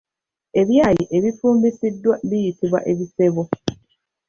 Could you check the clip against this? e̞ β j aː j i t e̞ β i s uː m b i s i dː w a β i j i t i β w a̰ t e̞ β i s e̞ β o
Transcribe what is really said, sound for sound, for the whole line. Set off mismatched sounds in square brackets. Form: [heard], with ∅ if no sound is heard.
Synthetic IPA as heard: e̞ β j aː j i [ʔ] e̞ β i [f] uː m b i s i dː w a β i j i t i β w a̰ [ʔ] e̞ β i s e̞ β o